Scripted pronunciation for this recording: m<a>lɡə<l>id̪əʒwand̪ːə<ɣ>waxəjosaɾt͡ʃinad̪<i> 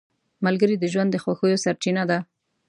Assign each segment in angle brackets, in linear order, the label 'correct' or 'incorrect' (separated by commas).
correct, incorrect, incorrect, incorrect